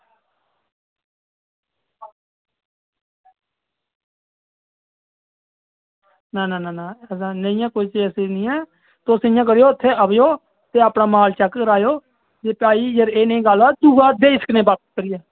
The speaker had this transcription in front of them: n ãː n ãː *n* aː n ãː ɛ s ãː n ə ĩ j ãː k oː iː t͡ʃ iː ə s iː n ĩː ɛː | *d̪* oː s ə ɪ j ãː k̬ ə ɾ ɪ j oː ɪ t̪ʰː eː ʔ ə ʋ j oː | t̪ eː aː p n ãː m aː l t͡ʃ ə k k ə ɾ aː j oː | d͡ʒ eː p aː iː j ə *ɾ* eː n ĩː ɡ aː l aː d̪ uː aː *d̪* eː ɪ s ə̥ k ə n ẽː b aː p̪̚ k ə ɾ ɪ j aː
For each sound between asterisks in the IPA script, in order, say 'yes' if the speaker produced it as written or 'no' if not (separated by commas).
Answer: yes, no, yes, yes